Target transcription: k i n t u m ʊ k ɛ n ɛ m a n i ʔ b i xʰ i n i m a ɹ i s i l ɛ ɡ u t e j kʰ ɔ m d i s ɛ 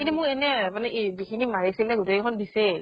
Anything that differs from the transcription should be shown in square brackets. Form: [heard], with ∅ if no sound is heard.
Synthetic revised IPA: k i n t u m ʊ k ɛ n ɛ m a n [ɛ] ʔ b i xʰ i n i m a ɹ i s i l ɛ ɡ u t e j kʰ ɔ [n] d i s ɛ